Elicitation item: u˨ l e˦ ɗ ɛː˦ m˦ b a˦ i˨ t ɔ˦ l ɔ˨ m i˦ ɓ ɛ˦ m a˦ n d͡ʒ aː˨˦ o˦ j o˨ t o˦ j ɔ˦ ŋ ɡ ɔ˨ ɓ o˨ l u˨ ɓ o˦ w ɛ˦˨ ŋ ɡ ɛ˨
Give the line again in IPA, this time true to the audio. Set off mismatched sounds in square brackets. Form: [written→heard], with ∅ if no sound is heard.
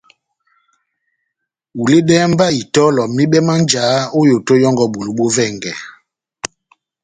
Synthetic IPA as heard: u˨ l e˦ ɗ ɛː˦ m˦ b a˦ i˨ t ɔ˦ l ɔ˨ m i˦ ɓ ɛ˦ m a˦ n d͡ʒ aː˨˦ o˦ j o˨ t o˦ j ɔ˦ ŋ ɡ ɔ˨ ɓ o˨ l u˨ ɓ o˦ [w→v] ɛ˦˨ ŋ ɡ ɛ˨